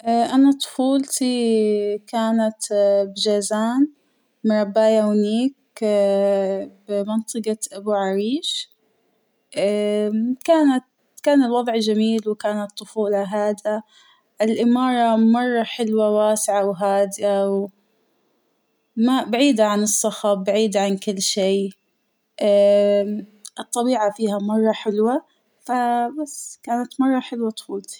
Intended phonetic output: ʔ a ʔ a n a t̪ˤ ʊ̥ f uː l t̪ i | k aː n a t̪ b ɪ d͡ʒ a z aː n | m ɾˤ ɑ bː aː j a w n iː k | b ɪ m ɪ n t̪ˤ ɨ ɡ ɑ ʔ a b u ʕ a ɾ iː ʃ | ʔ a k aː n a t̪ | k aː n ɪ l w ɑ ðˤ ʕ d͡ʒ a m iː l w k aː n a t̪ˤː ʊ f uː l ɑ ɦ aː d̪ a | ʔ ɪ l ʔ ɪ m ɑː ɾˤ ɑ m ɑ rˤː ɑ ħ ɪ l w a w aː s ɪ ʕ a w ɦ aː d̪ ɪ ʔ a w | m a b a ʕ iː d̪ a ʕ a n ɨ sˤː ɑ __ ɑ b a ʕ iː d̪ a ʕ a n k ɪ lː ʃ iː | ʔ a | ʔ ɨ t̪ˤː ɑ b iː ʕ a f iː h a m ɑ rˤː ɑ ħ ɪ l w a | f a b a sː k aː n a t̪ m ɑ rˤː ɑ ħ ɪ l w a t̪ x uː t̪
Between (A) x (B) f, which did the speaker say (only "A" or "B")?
A